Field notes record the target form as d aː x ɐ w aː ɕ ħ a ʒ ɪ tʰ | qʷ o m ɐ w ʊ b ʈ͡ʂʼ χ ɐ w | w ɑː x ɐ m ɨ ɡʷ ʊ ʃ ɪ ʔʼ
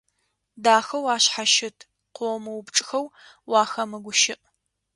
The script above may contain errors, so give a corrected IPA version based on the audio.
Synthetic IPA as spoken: d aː x ɐ w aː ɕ ħ a ʃ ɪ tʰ | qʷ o m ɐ w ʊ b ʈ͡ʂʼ x ɐ w | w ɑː x ɐ m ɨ ɡʷ ʊ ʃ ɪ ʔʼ